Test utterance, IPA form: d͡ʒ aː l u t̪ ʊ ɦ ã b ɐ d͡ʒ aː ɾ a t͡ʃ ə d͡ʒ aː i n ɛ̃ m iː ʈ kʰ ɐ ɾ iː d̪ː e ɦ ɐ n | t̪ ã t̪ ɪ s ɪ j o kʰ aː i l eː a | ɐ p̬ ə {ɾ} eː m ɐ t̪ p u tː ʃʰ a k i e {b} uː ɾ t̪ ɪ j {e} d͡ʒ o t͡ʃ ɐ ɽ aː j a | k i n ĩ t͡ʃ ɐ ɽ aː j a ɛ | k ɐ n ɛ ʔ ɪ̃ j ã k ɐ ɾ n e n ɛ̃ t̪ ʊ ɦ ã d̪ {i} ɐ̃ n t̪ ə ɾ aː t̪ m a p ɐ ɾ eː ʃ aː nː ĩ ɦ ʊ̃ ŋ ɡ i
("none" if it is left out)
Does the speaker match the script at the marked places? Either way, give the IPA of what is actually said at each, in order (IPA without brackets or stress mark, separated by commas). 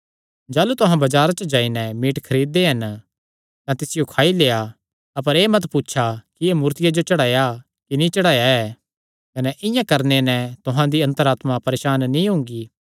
ɾ, m, a, i